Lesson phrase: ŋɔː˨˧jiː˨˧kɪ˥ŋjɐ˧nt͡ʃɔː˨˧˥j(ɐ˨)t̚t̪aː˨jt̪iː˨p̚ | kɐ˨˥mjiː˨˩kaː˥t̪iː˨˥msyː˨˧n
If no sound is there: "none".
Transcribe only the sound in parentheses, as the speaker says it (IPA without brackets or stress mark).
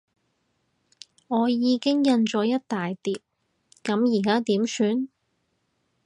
ɐ˥